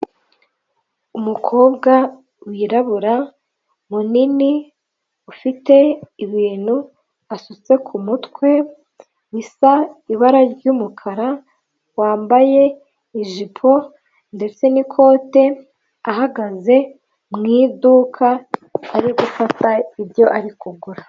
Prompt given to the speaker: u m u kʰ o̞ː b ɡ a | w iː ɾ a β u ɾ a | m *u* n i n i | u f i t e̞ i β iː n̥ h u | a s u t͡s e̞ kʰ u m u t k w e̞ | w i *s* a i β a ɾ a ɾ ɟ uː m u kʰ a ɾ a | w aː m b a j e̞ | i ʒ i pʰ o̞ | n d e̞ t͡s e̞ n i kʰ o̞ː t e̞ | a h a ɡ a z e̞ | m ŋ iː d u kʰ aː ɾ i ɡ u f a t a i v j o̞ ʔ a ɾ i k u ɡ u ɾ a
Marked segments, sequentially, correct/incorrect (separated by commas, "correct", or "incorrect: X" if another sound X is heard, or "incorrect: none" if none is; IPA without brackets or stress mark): correct, correct